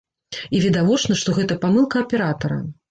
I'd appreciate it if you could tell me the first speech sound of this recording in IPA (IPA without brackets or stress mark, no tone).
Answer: i